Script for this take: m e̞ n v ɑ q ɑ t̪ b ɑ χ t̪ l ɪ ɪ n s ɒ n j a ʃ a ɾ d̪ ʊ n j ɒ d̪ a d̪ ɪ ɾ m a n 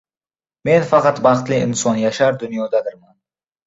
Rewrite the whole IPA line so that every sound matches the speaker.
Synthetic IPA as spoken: m e̞ n f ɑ q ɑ t̪ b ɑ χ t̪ l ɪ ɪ n s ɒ n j a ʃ a ɾ d̪ ʊ n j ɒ d̪ a d̪ ɪ ɾ m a n